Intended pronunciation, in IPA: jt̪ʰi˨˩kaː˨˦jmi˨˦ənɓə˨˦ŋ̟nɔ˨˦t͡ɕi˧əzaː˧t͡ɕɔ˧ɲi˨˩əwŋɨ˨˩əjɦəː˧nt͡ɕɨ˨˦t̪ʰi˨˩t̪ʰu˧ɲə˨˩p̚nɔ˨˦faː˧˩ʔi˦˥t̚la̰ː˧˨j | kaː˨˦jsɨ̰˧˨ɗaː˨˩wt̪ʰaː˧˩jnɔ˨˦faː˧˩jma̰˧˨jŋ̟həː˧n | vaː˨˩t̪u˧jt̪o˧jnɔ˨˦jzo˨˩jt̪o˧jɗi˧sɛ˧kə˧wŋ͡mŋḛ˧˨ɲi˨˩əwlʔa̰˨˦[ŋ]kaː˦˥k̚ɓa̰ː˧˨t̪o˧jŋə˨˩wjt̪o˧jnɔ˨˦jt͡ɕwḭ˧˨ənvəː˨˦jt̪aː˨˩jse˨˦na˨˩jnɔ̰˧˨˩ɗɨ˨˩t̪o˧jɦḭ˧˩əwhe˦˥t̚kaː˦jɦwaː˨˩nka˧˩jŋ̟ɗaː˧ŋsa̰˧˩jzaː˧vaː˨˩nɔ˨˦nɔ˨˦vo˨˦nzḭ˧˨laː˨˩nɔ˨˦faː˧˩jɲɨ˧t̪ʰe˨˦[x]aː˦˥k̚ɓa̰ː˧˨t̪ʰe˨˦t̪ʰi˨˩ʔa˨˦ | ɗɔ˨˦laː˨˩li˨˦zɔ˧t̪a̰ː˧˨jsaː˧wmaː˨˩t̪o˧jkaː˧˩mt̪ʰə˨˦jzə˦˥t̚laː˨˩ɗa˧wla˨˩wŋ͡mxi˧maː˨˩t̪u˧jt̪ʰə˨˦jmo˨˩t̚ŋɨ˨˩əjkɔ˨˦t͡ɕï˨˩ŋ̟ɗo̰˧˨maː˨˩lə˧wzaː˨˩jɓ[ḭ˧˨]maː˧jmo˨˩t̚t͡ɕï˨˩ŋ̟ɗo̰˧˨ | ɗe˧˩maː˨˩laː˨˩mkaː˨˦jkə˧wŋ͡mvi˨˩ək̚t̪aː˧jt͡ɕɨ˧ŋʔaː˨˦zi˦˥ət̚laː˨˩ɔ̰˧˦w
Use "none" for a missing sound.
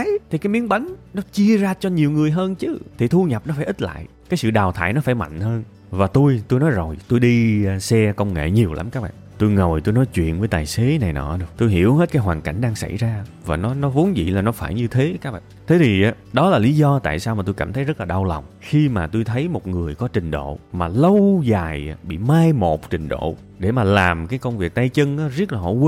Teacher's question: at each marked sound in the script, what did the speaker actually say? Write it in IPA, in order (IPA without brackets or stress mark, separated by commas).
m, k, ḭ˧˨